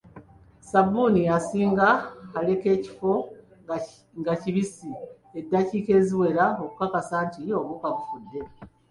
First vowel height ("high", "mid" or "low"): low